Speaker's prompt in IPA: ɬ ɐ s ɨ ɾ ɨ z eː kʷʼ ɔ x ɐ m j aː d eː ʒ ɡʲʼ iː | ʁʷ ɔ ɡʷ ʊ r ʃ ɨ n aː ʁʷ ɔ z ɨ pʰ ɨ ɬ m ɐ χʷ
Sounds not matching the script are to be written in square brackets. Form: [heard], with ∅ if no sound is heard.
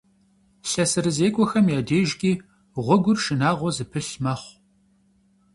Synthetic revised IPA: ɬ ɐ s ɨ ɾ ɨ z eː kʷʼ ɔ x ɐ m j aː d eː ʒ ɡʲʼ iː | ʁʷ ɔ ɡʷ ʊ r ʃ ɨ n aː ʁʷ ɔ z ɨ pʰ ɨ ɬ m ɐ χʷ